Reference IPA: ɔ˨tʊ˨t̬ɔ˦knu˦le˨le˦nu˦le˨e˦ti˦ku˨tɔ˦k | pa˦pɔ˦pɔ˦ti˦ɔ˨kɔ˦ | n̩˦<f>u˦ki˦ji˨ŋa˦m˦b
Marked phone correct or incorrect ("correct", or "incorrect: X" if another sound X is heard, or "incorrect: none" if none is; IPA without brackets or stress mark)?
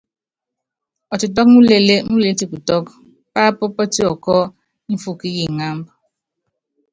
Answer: correct